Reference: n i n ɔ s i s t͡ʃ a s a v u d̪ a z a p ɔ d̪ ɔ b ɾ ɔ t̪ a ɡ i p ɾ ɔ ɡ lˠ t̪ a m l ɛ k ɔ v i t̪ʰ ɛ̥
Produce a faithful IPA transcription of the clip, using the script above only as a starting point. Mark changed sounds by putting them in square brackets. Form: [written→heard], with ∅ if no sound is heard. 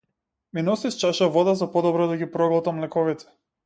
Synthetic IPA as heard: [n→m] i n ɔ s i s t͡ʃ a [s→ʃ] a v [u→ɔ] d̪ a z a p ɔ d̪ ɔ b ɾ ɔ [t̪→d̪] a ɡ i p ɾ ɔ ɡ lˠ t̪ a m l ɛ k ɔ v i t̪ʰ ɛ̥